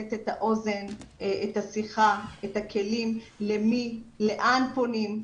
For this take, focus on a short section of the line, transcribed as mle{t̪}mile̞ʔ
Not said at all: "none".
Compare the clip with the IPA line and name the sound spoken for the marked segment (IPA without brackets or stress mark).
none